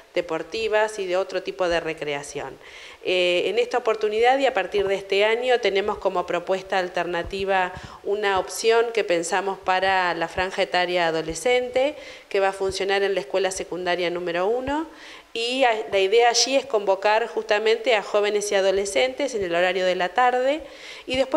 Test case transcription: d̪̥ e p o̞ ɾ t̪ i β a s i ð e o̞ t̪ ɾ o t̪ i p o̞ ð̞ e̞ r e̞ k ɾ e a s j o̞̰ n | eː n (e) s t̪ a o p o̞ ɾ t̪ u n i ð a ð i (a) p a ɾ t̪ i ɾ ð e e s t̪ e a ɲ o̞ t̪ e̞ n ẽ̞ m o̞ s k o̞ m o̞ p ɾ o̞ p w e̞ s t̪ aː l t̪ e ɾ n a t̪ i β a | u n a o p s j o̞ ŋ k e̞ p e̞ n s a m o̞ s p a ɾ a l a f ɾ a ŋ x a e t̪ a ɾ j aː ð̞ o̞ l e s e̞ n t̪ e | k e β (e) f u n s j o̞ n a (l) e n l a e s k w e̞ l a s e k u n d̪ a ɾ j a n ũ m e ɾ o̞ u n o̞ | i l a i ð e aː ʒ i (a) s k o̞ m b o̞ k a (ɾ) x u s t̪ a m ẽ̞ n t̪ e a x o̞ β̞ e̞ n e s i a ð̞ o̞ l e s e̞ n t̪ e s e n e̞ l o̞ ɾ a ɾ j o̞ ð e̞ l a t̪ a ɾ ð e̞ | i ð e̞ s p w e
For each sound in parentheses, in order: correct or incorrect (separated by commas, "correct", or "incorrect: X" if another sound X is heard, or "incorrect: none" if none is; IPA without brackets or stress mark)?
correct, correct, incorrect: a, incorrect: ɾ, incorrect: e, correct